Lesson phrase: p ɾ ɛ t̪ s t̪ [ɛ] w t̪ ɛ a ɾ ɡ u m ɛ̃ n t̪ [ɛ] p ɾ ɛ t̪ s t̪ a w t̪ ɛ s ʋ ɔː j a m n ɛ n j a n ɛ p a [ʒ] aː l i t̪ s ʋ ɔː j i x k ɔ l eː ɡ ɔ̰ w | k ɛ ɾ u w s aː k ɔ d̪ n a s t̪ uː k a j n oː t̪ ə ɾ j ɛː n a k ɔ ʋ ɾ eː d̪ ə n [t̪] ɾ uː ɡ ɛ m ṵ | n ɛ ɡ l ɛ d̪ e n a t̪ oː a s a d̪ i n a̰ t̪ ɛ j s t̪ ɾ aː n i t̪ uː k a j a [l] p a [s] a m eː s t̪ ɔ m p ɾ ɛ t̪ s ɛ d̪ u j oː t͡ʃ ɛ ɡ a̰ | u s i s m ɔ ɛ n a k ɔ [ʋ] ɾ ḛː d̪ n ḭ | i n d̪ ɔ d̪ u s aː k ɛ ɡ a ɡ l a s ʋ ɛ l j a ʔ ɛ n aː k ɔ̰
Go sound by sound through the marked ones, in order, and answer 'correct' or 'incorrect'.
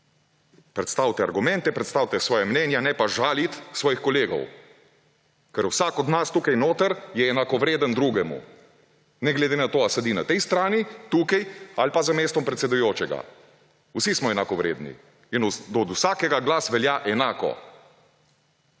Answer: incorrect, correct, correct, incorrect, correct, incorrect, correct

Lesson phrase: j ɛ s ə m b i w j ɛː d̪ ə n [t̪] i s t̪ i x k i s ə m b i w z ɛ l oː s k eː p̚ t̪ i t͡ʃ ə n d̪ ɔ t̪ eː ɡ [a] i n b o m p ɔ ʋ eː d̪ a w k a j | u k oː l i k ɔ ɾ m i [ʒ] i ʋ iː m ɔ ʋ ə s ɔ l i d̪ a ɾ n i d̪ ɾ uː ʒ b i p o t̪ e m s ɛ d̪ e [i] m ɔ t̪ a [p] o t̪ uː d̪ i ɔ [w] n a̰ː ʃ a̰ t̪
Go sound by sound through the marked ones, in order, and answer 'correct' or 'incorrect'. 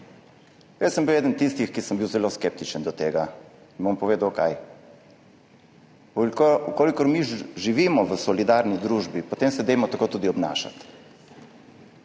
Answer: correct, correct, correct, incorrect, incorrect, incorrect

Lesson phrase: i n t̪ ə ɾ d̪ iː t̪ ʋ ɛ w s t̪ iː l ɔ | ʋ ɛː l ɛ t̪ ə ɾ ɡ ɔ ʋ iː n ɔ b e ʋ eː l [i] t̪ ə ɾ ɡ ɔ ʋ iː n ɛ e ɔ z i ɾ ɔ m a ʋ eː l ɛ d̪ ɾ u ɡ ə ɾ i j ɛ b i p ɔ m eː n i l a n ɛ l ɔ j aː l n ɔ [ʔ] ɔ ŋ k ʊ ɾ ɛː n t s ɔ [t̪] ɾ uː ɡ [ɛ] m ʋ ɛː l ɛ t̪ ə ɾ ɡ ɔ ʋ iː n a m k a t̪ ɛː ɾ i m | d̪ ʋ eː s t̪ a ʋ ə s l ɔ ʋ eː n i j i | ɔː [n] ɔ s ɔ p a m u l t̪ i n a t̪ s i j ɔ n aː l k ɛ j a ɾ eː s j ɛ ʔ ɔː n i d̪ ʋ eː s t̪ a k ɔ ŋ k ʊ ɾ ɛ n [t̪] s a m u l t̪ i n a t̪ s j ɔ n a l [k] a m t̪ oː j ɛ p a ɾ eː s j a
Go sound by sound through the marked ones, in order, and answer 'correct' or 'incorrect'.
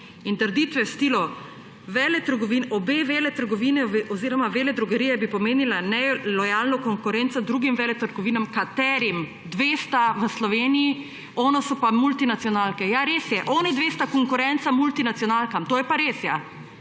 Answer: incorrect, incorrect, incorrect, incorrect, correct, correct, correct

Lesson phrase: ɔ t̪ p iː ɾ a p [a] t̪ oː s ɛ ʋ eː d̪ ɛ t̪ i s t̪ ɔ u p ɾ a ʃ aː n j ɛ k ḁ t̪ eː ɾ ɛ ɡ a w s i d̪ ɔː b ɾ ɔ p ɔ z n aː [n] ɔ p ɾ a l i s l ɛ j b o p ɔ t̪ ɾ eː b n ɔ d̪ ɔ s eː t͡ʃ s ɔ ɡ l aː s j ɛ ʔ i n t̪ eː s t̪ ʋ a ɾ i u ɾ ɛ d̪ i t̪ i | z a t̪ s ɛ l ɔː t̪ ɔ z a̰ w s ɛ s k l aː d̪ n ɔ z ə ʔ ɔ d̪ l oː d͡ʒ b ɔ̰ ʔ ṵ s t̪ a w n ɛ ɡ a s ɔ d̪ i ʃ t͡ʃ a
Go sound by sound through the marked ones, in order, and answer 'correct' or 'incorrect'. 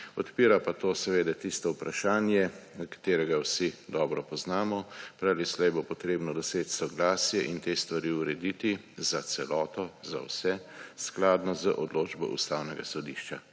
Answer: correct, incorrect

